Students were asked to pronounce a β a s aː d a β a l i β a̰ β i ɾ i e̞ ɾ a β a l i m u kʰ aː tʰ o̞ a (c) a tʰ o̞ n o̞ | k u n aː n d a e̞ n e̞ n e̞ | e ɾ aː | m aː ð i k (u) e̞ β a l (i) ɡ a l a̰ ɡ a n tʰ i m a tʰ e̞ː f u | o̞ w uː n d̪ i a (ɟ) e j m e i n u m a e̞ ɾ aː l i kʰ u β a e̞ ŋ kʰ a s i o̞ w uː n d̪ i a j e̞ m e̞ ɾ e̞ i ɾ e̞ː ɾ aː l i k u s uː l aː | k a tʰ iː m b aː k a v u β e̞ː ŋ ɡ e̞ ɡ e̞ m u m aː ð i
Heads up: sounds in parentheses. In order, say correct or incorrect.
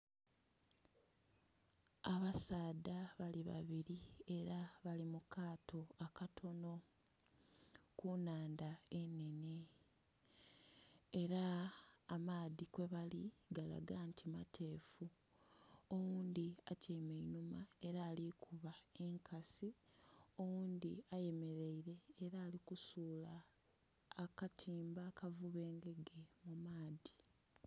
incorrect: k, incorrect: w, correct, incorrect: c

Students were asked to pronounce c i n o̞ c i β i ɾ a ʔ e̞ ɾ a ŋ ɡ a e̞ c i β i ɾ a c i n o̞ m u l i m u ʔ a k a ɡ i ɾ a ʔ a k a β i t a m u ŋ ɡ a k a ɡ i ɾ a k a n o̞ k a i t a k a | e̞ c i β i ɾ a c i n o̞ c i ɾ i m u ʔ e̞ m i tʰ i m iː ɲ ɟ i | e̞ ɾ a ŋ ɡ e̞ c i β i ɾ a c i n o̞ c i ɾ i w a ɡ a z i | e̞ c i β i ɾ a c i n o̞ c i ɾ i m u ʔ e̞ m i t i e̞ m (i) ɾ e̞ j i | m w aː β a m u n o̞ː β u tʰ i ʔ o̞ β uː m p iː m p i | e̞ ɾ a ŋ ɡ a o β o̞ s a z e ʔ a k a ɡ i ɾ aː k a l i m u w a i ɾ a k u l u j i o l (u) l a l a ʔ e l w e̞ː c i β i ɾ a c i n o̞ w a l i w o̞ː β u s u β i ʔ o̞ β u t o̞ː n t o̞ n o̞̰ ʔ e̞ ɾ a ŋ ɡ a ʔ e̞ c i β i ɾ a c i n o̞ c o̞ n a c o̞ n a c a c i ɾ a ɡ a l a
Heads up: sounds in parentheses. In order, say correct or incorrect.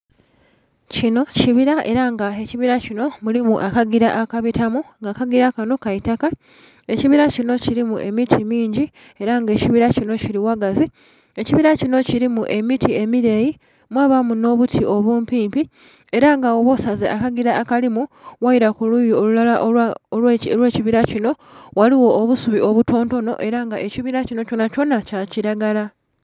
correct, correct

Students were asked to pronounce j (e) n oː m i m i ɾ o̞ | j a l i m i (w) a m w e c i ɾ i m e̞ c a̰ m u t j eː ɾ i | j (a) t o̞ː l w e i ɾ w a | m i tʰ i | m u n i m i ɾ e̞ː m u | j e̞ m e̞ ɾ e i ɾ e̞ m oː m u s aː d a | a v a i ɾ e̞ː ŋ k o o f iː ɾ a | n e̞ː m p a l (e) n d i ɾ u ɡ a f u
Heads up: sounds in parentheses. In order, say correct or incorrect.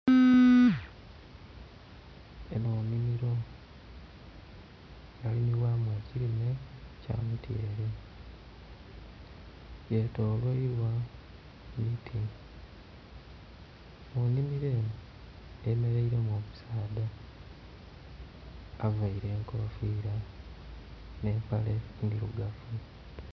correct, correct, incorrect: e, correct

